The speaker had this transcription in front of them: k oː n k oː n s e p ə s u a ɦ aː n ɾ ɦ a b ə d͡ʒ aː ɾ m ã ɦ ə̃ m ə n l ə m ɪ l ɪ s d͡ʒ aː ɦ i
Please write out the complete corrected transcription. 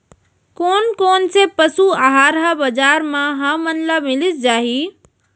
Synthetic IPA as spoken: k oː n k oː n s e p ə s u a ɦ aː ɾ ɦ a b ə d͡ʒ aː ɾ m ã ɦ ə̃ m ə n l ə m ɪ l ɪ s d͡ʒ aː ɦ i

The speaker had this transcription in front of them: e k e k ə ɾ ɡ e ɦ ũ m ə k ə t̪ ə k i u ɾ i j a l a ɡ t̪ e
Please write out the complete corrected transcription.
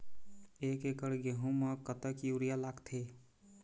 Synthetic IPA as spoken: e k e k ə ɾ ɡ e ɦ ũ m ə k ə t̪ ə k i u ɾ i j a l a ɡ t̪ʰ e

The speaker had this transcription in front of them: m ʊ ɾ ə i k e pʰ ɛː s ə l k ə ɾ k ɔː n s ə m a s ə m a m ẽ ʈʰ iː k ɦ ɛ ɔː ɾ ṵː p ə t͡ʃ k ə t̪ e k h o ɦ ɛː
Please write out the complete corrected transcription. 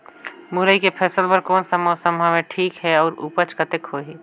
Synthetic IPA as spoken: m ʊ ɾ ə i k e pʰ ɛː s ə l p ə ɾ k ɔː n s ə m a s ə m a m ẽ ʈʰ iː k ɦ ɛ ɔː ɾ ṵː p ə t͡ʃ k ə t̪ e k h o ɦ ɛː

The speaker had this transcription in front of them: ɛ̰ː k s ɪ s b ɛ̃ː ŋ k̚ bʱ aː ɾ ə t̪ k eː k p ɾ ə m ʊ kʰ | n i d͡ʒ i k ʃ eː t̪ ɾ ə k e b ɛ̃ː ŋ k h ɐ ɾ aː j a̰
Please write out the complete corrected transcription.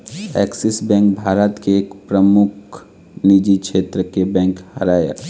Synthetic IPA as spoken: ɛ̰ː k s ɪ s b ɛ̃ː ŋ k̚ bʱ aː ɾ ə t̪ k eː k p ɾ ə m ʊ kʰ | n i d͡ʒ i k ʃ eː t̪ ɾ ə k e b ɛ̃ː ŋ k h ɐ ɾ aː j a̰

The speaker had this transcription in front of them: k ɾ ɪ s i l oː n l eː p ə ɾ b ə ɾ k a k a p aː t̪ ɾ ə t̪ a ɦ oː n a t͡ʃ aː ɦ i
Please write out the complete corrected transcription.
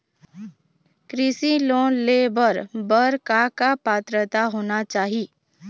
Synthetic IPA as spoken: k ɾ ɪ s i l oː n l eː b ə ɾ b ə ɾ k a k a p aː t̪ ɾ ə t̪ a ɦ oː n a t͡ʃ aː ɦ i

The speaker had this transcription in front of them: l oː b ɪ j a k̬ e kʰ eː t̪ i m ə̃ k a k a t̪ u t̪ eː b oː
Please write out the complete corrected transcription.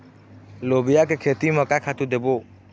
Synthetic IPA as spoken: l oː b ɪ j a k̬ e kʰ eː t̪ i m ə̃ k a kʰ a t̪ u d̪ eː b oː

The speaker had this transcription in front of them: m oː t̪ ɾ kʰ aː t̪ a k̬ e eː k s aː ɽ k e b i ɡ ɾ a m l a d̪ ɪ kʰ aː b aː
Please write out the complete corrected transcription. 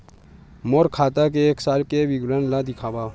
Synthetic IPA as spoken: m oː ɾ kʰ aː t̪ a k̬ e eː k s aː l k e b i ɡ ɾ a n l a d̪ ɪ kʰ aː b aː

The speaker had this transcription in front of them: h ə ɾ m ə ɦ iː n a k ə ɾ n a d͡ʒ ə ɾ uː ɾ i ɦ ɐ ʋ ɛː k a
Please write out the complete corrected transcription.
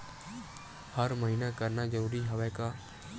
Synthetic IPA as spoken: h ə ɾ m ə ɦ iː n a k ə ɾ n a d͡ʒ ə ɾ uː ɾ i ɦ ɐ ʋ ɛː k a

